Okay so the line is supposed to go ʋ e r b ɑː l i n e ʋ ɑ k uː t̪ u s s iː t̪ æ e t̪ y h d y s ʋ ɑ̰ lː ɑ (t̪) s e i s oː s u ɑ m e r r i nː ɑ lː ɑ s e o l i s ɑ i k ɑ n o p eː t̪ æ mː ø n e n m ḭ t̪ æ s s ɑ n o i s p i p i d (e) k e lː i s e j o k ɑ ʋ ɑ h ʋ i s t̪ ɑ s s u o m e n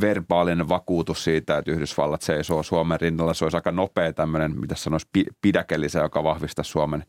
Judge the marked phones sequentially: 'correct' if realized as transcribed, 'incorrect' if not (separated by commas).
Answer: correct, incorrect